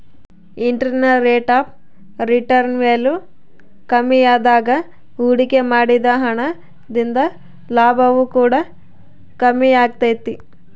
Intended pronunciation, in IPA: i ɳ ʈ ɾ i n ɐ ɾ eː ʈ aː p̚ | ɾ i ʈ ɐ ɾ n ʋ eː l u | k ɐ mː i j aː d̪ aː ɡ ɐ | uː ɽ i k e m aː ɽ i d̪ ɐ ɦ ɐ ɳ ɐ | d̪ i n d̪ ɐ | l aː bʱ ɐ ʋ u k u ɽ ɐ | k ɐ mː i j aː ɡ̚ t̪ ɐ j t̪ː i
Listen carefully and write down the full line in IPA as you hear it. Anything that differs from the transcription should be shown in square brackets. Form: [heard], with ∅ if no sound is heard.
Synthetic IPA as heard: i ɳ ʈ ɾ i n ɐ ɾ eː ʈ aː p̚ | ɾ i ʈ ɐ ɾ n ʋ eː l u | k ɐ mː i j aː d̪ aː ɡ ɐ | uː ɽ i k e m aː ɽ i d̪ ɐ ɦ ɐ ɳ ɐ | d̪ i n d̪ ɐ | l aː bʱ ɐ ʋ u k [uː] ɽ ɐ | k ɐ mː i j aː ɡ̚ t̪ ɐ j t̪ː i